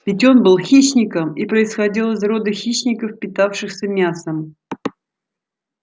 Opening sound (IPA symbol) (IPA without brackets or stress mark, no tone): vʲ